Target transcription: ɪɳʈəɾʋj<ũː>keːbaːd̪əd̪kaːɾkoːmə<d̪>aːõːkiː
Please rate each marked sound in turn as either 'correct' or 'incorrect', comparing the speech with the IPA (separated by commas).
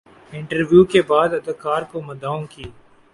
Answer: incorrect, correct